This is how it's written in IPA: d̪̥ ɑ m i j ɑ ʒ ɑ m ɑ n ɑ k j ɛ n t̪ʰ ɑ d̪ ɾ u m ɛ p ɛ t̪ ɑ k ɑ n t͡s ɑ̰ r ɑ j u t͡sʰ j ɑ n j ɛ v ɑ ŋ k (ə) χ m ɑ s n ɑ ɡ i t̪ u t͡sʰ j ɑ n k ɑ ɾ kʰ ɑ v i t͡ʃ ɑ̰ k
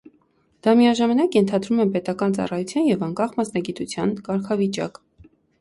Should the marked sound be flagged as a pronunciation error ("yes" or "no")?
yes